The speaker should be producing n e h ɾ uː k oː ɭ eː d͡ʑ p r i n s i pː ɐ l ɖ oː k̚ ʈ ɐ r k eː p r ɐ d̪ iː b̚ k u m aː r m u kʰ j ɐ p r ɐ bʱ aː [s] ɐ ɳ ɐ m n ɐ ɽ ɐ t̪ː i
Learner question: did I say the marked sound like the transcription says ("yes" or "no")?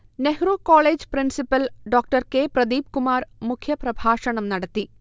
no